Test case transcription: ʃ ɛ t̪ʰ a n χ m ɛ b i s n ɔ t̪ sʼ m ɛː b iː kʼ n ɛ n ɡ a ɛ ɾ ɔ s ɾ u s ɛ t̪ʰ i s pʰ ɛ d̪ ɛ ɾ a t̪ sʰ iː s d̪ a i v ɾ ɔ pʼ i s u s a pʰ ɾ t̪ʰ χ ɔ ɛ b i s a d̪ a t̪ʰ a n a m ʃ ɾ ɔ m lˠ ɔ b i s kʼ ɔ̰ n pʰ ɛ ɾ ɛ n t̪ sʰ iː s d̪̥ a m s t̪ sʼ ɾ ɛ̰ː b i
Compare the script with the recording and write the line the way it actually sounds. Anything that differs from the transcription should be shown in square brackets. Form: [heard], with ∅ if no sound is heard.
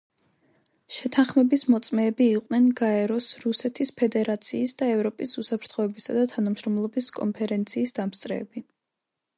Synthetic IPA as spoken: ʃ ɛ t̪ʰ a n χ m ɛ b i s [m] ɔ t̪ sʼ m ɛː b iː [qʼ] n ɛ n ɡ a ɛ ɾ ɔ s ɾ u s ɛ t̪ʰ i s pʰ ɛ d̪ ɛ ɾ a t̪ sʰ iː s d̪ a [ɛ] v ɾ ɔ pʼ i s u s a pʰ ɾ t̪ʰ χ ɔ ɛ b i s a d̪ a t̪ʰ a n a m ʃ ɾ ɔ m lˠ ɔ b i s kʼ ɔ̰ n pʰ ɛ ɾ ɛ n t̪ sʰ iː s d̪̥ a m s t̪ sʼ ɾ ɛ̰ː b i